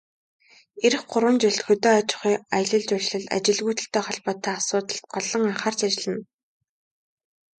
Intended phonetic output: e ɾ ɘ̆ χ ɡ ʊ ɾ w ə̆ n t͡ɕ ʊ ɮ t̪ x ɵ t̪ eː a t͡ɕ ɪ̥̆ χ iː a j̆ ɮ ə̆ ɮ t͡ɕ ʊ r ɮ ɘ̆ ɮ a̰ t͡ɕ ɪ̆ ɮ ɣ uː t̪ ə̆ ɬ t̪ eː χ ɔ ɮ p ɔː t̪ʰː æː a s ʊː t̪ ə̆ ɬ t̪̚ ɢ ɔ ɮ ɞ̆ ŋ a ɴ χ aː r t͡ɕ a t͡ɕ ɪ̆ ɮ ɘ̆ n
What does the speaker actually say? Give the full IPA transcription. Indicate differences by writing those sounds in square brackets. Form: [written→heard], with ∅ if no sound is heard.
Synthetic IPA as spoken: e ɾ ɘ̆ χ [ɡ→ɢ] ʊ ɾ w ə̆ n t͡ɕ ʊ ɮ t̪ x ɵ t̪ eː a t͡ɕ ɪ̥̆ χ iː a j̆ ɮ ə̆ ɮ t͡ɕ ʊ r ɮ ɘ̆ ɮ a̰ t͡ɕ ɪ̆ ɮ ɣ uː t̪ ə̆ ɬ t̪ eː χ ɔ ɮ p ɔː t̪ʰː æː a s ʊː t̪ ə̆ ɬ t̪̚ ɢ ɔ ɮ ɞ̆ ŋ a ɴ χ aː r t͡ɕ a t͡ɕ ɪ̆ ɮ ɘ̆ n